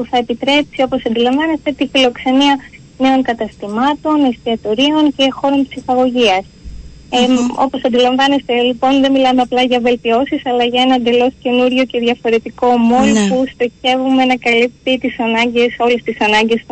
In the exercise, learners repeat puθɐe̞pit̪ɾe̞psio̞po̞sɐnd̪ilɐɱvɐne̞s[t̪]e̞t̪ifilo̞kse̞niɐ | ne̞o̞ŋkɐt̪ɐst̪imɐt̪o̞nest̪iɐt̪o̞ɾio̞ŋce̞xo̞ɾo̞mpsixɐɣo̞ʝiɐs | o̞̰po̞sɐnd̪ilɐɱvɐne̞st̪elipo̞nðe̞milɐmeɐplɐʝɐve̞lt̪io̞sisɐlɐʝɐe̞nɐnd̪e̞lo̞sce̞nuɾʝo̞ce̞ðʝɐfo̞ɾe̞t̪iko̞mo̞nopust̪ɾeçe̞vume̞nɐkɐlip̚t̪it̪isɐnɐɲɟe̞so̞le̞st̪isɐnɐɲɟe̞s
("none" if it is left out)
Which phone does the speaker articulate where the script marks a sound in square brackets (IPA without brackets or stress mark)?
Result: t̪